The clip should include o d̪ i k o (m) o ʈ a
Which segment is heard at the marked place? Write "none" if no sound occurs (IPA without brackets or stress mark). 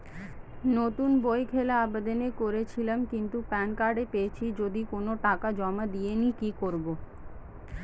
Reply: n